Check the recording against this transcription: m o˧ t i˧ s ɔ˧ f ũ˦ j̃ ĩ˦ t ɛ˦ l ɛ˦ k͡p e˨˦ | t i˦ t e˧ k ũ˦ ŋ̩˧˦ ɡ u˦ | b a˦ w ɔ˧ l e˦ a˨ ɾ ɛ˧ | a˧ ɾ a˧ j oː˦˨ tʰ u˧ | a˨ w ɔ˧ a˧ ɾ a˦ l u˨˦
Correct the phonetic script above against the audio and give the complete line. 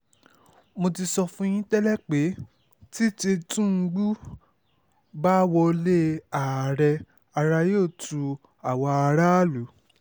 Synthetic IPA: m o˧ t i˧ s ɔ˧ f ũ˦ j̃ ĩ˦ t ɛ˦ l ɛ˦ k͡p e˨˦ | t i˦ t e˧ t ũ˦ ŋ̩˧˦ ɡ͡b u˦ | b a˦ w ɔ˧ l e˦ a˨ ɾ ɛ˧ | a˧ ɾ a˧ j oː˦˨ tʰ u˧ | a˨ w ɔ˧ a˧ ɾ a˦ l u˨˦